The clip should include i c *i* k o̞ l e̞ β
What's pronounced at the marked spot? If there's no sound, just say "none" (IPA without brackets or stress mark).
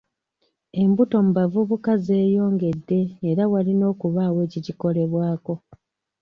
i